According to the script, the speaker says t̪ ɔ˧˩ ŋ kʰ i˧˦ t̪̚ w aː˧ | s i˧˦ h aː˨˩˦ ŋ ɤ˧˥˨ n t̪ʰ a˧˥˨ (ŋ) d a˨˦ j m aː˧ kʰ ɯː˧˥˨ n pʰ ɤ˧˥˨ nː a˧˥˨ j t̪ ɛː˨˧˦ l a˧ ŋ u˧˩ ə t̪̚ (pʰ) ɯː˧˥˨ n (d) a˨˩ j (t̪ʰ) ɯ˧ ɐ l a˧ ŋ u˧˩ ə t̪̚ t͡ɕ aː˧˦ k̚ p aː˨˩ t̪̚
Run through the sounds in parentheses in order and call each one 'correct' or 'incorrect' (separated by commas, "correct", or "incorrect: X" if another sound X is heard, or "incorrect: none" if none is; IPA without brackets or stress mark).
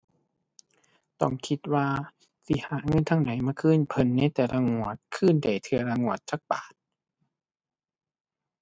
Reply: correct, incorrect: kʰ, correct, correct